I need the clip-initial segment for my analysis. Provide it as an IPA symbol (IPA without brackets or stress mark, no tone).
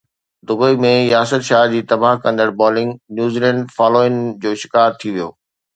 d̪